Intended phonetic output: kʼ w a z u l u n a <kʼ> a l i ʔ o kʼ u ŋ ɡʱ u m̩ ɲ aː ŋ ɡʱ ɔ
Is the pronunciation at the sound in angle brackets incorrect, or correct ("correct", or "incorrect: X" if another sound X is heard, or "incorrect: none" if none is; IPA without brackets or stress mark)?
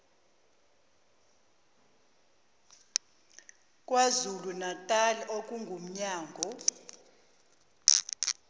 incorrect: tʼ